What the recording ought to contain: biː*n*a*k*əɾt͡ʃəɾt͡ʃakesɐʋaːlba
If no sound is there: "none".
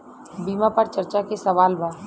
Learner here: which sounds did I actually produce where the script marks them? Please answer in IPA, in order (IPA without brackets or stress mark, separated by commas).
m, p